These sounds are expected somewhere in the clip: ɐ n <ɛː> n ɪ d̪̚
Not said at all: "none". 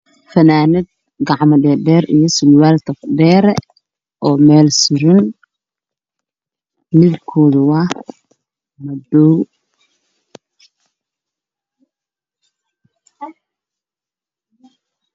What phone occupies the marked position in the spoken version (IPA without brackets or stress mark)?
aː